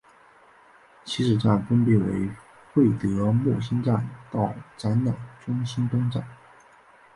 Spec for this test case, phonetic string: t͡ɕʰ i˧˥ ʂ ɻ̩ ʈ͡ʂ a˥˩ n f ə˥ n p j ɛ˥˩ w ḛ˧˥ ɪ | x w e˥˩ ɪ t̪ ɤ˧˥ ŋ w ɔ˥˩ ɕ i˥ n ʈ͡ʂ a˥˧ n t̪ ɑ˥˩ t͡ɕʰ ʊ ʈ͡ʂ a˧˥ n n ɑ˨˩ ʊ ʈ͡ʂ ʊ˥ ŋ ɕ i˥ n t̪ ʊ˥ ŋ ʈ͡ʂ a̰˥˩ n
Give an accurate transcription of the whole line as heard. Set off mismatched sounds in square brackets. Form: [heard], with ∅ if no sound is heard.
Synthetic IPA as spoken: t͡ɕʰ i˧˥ ʂ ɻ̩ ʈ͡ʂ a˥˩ n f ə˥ n p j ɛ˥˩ w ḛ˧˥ ɪ | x w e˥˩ ɪ t̪ ɤ˧˥ [m] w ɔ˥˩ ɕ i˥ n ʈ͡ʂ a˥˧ n t̪ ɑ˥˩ [∅] ʊ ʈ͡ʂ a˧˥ n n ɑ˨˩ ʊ ʈ͡ʂ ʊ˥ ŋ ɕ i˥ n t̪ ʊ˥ ŋ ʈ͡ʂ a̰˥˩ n